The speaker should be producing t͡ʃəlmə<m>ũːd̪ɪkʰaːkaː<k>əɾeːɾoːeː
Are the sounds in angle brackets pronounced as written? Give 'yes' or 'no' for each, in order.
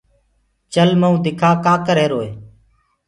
no, yes

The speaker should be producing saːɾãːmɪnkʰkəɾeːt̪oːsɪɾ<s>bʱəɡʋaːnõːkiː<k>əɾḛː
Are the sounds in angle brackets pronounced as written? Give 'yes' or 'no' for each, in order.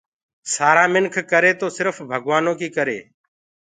no, yes

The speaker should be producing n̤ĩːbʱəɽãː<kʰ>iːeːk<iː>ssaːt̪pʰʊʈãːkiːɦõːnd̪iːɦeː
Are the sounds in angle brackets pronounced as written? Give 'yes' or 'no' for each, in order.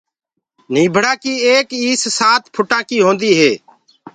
no, yes

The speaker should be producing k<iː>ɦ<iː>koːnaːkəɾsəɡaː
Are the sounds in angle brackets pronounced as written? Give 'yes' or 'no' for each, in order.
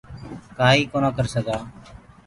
no, yes

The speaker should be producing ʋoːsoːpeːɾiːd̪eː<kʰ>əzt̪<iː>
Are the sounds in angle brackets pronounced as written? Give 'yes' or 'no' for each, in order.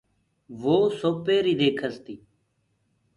yes, yes

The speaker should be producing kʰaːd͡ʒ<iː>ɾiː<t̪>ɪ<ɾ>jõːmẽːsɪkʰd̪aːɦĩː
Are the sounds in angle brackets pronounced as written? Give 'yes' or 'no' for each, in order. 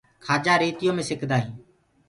no, yes, no

